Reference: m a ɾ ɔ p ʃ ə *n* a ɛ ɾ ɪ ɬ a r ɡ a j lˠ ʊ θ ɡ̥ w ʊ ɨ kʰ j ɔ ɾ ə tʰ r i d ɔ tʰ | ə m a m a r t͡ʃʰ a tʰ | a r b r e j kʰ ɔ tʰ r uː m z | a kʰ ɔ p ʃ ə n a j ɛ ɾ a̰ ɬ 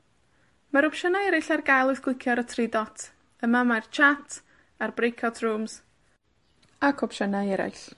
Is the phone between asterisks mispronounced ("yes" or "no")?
no